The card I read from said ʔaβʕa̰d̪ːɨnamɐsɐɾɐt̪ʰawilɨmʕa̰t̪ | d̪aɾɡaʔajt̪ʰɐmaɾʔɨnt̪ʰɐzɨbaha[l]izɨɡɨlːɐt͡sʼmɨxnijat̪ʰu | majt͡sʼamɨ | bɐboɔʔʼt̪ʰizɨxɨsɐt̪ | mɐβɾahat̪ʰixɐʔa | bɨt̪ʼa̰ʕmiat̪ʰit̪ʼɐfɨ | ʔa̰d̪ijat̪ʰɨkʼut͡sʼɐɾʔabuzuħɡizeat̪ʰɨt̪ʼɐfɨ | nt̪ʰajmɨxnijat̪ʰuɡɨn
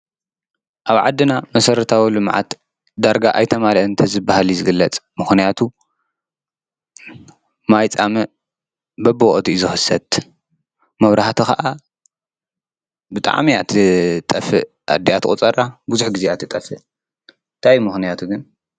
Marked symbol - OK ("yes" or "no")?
yes